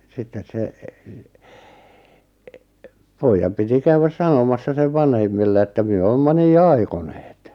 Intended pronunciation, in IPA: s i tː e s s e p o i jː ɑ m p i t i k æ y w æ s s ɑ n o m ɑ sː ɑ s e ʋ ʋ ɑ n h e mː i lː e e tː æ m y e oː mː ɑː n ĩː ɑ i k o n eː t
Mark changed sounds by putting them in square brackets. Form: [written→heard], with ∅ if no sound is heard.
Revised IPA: s i tː e s s e p o i jː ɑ m p i t i k æ y w æ s s ɑ n o m ɑ sː ɑ s e ʋ ʋ ɑ n h e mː i lː e e tː æ m y [e→ø] oː mː [ɑː→ɑ] n [ĩː→iː] ɑ i k o n eː t